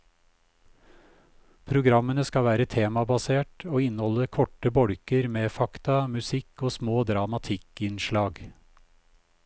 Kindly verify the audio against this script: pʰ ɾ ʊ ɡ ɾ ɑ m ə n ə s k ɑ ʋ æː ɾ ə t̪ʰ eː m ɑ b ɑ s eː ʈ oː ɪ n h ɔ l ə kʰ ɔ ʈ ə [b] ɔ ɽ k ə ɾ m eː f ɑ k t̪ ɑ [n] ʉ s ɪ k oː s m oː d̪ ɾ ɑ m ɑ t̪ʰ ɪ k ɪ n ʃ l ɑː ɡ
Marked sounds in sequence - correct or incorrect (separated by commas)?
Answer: correct, incorrect